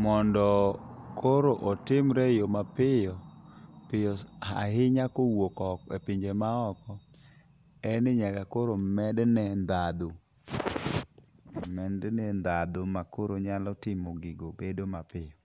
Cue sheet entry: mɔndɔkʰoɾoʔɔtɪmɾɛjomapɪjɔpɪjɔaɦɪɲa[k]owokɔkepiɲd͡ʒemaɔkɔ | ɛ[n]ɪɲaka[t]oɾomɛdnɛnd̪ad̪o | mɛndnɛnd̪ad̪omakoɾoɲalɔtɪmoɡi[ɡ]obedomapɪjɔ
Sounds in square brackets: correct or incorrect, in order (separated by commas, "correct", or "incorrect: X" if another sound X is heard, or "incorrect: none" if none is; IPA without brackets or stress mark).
correct, correct, incorrect: k, correct